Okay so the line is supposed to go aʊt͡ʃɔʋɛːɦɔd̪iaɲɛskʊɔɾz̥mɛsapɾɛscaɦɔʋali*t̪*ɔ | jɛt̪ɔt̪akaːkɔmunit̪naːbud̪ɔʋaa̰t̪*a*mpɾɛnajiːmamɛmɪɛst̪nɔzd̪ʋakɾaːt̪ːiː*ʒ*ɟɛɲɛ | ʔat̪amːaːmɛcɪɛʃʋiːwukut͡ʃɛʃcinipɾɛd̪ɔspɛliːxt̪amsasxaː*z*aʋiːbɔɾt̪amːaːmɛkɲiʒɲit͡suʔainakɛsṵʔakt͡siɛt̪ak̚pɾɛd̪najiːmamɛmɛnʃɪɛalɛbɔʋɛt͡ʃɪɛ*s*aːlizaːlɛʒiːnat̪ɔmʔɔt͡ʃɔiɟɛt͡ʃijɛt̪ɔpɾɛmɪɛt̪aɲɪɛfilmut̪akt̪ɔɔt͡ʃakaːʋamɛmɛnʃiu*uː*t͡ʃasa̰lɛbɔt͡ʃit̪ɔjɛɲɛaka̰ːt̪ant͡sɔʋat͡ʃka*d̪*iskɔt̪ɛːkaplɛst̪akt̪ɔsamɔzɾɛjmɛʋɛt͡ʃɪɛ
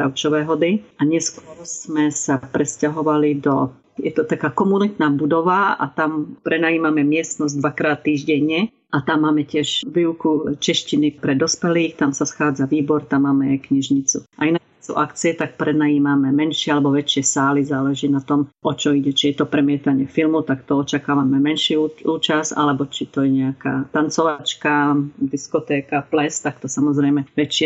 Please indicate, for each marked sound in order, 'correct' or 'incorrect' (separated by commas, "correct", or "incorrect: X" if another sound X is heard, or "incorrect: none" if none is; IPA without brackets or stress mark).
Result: incorrect: d̪, correct, correct, incorrect: d͡z, correct, correct, correct